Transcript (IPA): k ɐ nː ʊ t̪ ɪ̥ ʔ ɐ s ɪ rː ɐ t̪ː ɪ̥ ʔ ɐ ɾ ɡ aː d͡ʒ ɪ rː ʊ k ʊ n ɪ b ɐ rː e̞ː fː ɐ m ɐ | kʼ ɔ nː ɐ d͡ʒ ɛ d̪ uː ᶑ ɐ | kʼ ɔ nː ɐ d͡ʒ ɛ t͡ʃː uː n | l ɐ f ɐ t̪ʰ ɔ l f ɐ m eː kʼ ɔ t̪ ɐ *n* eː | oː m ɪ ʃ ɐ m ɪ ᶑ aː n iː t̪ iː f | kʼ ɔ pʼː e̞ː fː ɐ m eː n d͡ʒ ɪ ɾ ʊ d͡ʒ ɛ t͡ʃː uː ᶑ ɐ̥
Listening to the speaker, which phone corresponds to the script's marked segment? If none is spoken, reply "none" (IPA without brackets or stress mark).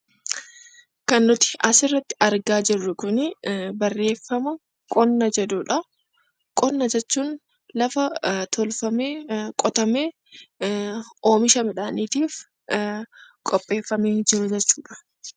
m